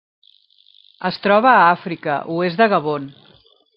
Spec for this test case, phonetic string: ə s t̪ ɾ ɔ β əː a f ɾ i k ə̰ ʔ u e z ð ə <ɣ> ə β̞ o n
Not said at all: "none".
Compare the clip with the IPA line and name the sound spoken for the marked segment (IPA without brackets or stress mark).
ɣ